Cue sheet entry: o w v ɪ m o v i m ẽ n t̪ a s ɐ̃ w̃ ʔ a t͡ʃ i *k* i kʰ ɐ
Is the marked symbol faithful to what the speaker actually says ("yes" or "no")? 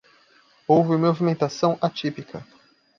no